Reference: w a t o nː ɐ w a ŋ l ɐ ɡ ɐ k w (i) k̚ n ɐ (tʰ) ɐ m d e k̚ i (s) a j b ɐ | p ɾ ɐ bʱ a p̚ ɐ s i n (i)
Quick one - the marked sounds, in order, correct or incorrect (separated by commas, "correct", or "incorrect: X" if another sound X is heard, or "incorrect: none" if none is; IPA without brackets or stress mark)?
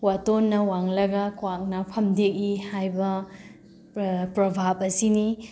incorrect: a, incorrect: pʰ, incorrect: h, correct